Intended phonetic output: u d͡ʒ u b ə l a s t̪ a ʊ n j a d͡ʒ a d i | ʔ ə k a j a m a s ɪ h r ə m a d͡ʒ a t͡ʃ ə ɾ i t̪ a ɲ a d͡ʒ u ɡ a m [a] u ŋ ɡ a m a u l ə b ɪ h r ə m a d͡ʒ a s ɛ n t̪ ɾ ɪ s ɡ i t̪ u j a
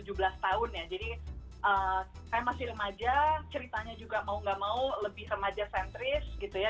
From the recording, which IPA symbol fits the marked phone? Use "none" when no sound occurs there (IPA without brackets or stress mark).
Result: a